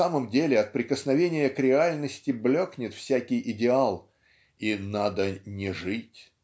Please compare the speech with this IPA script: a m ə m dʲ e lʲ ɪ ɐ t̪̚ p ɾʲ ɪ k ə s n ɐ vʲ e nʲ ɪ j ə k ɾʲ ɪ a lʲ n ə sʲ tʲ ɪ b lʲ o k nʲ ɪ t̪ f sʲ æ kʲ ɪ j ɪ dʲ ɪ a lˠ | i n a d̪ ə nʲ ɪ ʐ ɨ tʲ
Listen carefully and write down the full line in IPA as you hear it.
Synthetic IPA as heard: a m ə m dʲ e lʲ ɪ ɐ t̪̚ p ɾʲ ɪ k ə s n ɐ vʲ e nʲ ɪ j ə k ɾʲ ɪ a lʲ n ə sʲ tʲ ɪ b lʲ o k nʲ ɪ t̪ f sʲ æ kʲ ɪ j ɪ dʲ ɪ a lˠ | i n a d̪ ə nʲ ɪ ʐ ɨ tʲ